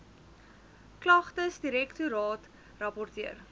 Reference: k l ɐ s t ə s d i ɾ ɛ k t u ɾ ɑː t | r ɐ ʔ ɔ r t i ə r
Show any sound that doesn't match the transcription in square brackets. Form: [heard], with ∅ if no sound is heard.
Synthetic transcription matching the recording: k l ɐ [χ] t ə s d i ɾ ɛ k t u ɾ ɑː t | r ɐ [p] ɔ r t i ə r